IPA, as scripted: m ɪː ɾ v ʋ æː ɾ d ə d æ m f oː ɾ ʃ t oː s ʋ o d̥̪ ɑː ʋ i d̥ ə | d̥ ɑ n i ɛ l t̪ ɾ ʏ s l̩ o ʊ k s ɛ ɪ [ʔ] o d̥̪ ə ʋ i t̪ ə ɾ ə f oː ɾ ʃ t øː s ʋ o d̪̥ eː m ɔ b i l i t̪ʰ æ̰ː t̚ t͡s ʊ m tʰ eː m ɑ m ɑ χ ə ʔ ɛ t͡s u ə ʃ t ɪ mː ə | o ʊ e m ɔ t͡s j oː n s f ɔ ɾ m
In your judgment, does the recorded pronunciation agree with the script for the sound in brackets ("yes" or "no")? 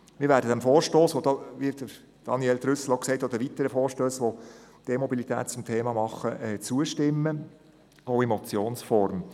no